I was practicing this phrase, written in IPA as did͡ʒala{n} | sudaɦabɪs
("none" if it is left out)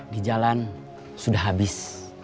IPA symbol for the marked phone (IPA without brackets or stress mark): n